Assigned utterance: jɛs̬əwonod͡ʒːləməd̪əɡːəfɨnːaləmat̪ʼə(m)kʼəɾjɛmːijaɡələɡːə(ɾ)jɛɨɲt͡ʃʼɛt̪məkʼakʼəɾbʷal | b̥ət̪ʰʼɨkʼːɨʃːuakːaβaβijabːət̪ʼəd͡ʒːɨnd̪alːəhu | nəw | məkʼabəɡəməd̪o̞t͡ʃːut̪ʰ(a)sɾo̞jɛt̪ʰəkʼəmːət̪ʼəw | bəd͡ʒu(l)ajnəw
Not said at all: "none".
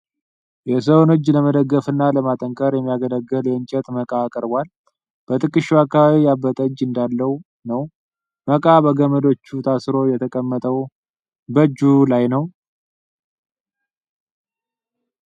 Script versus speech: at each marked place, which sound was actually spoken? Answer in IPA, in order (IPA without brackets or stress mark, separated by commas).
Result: ŋ, l, a, l